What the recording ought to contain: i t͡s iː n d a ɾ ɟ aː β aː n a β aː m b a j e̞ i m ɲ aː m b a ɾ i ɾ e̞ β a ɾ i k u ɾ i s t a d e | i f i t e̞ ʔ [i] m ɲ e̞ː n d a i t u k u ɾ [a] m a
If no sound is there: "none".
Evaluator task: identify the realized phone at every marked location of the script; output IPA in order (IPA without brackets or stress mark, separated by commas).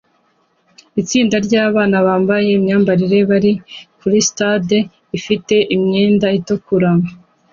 i, a